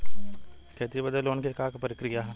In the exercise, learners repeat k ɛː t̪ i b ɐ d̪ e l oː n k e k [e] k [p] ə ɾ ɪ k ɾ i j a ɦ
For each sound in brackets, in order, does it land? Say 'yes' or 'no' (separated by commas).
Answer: no, yes